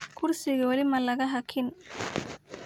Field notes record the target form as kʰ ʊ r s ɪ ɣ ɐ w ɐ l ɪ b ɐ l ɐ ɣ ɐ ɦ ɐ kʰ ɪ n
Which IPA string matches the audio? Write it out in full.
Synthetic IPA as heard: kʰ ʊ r s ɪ ɣ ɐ w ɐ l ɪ m ɐ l ɐ ɣ ɐ ɦ ɐ kʰ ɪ n